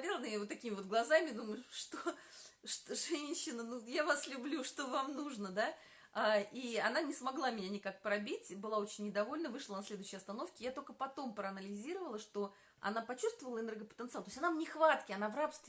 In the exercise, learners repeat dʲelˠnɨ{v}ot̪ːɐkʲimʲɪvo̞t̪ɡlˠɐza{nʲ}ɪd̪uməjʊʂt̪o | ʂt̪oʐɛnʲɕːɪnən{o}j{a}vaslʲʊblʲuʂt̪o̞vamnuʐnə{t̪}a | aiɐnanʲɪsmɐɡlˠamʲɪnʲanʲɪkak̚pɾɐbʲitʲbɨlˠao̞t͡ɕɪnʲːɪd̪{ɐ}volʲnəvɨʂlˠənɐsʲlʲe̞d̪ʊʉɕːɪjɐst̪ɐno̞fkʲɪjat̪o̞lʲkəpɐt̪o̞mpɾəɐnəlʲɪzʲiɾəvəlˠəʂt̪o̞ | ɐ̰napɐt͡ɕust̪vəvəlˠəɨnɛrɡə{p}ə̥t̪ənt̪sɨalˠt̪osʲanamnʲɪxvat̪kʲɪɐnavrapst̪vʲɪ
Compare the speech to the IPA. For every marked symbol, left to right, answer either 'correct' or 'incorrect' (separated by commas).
correct, incorrect, incorrect, correct, incorrect, correct, correct